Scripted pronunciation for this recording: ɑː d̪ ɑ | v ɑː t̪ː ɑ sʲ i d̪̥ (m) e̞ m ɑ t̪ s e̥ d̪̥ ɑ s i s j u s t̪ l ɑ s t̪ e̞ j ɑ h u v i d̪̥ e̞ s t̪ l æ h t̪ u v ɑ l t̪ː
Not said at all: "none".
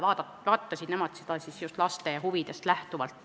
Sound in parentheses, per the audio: n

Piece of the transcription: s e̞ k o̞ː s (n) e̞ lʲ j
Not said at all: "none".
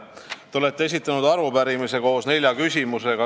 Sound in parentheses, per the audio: n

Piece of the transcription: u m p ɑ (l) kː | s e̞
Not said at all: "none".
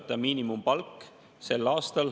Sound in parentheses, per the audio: l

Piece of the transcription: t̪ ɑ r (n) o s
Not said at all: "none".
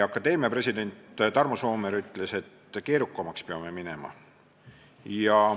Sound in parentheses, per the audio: m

